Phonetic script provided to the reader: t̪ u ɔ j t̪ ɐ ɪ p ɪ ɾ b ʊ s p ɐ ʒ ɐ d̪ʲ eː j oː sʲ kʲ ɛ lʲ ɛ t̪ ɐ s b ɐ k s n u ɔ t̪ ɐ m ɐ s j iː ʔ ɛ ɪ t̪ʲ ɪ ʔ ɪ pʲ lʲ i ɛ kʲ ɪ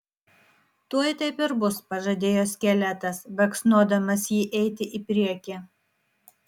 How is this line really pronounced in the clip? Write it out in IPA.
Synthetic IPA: t̪ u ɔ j t̪ ɐ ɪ p ɪ ɾ b ʊ s p ɐ ʒ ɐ d̪ʲ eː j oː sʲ kʲ ɛ lʲ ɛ t̪ ɐ s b ɐ k s n u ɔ d̪ ɐ m ɐ s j iː ʔ ɛ ɪ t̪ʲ ɪ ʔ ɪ pʲ ɾʲ i ɛ kʲ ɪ